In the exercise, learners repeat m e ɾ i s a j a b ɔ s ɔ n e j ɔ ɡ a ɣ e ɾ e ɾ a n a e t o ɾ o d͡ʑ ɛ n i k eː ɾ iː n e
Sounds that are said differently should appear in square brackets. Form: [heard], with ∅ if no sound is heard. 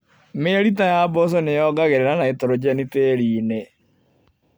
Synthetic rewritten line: m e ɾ i [t] a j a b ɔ s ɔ n e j ɔ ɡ a ɣ e ɾ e ɾ a n a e t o ɾ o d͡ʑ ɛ n i [t] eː ɾ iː n e